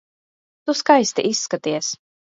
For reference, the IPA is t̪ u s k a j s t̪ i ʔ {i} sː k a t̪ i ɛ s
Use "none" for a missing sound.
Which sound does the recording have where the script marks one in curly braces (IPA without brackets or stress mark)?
i